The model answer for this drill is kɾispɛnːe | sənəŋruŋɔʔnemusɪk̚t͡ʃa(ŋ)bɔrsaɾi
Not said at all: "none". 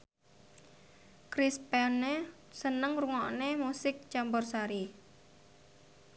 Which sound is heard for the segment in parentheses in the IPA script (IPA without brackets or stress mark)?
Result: m